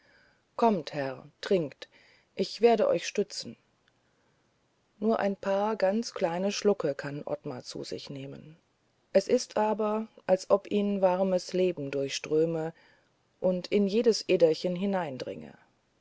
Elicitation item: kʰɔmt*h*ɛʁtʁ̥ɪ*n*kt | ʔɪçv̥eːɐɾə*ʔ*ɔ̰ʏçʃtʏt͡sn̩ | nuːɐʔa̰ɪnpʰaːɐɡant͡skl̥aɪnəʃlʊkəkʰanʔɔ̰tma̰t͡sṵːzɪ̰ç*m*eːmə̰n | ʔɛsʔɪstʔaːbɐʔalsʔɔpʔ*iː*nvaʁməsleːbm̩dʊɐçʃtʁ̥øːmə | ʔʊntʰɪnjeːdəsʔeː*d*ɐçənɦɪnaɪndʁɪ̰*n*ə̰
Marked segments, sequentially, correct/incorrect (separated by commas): correct, incorrect, correct, incorrect, correct, correct, incorrect